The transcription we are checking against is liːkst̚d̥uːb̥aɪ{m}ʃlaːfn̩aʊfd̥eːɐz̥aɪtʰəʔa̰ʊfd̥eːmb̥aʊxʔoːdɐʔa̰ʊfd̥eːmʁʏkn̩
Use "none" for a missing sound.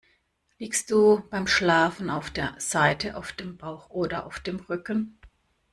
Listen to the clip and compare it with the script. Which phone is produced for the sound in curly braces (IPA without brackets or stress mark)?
m